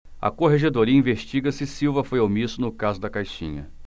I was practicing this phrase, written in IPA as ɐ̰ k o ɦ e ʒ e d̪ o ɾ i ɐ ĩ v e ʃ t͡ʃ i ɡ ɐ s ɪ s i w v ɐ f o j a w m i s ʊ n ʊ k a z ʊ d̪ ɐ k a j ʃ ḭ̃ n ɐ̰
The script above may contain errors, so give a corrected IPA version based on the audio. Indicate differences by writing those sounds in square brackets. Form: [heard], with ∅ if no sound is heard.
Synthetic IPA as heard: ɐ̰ k o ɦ e ʒ e d̪ o ɾ i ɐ ĩ v e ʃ t͡ʃ i ɡ ɐ s ɪ s i w v ɐ f o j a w m i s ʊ n ʊ k a z ʊ d̪ ɐ k a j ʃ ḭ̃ [ɲ] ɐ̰